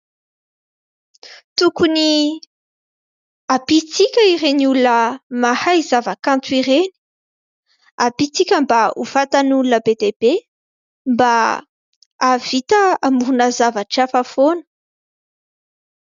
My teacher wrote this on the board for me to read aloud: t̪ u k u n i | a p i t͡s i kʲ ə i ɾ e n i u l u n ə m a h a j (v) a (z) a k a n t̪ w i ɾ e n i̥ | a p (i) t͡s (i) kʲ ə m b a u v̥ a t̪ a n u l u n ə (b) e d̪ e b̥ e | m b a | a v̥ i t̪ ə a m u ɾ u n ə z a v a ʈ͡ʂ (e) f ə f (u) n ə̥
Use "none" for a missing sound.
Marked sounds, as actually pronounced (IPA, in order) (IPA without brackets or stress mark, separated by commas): z, v, i, i, b, a, o